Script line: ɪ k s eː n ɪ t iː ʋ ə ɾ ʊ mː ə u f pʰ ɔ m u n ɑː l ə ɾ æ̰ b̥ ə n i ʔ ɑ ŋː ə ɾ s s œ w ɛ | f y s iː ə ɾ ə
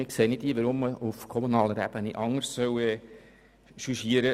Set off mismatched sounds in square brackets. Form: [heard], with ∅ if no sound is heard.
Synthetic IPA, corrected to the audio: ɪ k s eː n ɪ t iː ʋ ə ɾ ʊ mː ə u f [kʰ] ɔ m u n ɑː l ə ɾ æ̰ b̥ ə n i ʔ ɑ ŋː ə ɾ s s œ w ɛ | [ʃ] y [ʃ] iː ə ɾ ə